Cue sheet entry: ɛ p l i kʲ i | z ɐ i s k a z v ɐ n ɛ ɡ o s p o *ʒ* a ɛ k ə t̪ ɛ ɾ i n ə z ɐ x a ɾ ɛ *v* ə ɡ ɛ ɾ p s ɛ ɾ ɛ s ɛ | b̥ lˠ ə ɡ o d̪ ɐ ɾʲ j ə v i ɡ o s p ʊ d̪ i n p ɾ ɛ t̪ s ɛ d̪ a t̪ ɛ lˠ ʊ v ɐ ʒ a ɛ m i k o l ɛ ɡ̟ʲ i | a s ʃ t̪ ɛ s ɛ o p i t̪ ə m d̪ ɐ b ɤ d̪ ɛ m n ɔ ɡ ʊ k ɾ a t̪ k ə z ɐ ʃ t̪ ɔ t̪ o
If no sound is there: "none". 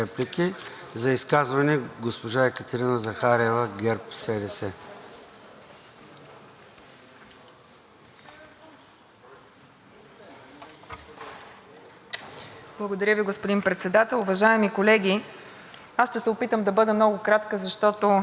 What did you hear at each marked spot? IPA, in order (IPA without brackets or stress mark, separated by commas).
ʒ, v